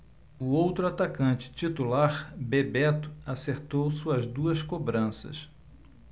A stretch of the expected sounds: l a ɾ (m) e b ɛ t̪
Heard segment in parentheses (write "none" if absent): b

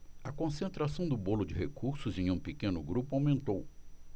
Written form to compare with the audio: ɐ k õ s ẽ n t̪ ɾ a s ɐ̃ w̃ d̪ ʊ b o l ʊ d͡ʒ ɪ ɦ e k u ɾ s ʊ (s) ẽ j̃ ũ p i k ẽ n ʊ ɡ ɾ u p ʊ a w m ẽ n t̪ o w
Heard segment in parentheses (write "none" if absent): z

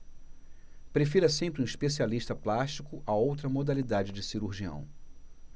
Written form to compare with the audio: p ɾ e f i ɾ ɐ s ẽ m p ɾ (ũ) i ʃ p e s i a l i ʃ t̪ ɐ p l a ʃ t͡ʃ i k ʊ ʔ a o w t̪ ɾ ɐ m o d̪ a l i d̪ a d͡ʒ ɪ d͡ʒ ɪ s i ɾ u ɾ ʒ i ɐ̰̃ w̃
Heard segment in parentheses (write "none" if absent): ũ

